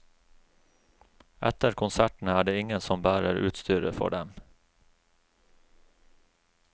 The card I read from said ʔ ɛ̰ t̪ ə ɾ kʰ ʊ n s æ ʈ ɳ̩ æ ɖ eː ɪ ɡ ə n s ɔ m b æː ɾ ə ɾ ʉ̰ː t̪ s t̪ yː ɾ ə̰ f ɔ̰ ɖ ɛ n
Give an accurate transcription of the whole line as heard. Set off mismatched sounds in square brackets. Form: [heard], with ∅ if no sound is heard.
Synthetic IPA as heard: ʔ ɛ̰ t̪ ə ɾ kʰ ʊ n s æ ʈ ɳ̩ [æː] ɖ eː ɪ [ŋ] ə n s ɔ m b æː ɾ ə ɾ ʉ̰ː t̪ s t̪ yː ɾ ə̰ f ɔ̰ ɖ ɛ [m]